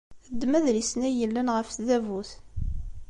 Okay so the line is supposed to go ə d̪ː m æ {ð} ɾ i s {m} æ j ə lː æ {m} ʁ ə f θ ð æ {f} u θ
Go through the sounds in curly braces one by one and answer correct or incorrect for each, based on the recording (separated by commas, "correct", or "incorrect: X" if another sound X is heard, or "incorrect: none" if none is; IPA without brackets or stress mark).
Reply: correct, incorrect: n, incorrect: n, incorrect: v